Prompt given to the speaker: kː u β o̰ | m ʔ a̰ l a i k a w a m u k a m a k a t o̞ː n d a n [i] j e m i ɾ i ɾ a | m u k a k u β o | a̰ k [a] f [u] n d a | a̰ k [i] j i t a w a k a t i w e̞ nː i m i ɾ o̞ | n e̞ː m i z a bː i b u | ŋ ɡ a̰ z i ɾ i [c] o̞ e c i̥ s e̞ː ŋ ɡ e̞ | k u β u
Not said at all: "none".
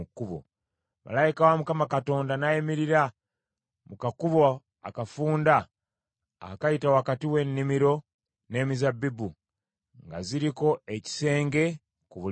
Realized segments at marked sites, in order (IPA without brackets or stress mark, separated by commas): a, a, uː, a, k